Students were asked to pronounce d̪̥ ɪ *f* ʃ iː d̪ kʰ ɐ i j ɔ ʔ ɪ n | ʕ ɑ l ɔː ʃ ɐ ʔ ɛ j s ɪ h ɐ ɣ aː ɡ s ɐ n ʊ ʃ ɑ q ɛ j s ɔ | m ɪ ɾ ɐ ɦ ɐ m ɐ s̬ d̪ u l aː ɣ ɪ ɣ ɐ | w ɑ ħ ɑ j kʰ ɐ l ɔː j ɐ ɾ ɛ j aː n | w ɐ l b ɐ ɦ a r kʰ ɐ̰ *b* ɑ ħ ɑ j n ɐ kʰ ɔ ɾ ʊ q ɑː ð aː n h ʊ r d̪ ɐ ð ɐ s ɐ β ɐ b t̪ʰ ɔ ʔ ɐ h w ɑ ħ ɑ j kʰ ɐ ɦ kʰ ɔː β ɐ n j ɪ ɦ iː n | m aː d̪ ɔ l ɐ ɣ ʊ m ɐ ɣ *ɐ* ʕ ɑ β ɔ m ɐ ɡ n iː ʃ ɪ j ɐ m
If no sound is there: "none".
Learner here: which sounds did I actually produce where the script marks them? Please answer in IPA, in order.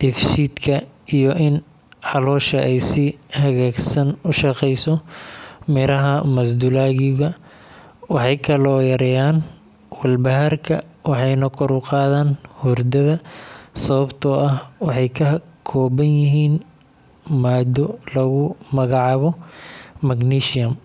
f, w, ɑ

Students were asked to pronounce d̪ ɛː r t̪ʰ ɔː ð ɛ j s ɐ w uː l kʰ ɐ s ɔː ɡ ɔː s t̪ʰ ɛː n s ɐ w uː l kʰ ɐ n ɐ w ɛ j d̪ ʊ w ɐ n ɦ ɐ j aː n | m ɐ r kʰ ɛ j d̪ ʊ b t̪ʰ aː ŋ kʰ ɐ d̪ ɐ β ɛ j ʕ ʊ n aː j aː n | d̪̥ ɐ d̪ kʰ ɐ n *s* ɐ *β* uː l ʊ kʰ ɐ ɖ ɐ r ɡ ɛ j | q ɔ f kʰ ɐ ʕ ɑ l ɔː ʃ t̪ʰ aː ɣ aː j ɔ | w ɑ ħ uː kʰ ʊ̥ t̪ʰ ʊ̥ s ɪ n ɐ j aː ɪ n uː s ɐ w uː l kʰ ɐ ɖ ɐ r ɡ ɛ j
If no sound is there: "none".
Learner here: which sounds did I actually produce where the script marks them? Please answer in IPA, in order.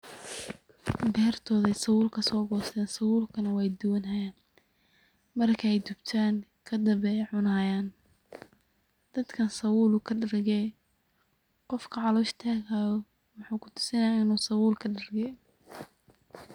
s, w

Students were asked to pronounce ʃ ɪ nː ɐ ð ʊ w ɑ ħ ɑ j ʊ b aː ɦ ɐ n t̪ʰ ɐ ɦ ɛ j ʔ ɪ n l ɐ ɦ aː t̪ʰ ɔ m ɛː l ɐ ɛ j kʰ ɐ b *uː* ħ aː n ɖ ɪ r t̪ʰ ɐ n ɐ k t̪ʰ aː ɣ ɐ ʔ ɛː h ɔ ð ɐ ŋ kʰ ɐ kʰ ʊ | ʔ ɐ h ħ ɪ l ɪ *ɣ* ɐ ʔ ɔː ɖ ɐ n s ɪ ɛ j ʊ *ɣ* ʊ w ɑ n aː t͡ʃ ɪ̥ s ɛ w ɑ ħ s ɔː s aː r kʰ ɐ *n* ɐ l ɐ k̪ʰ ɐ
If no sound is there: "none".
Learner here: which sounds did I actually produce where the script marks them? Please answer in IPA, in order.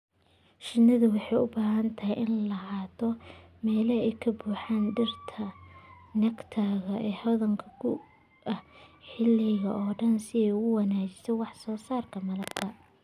uː, ɣ, ɣ, m

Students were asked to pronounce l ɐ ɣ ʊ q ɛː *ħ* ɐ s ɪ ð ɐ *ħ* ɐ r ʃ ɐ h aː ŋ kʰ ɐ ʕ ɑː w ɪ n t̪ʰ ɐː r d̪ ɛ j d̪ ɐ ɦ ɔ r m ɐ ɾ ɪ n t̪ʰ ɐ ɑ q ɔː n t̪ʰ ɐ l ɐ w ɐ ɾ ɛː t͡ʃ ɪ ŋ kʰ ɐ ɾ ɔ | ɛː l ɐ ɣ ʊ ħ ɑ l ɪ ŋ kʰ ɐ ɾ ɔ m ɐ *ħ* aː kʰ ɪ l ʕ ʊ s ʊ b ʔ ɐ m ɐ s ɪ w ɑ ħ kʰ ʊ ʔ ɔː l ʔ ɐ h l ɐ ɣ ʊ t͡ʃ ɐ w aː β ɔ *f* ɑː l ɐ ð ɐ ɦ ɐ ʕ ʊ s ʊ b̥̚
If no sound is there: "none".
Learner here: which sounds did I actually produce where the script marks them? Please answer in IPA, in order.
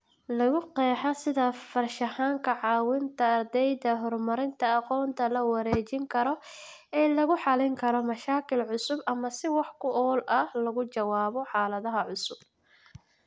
ħ, f, ʃ, ħ

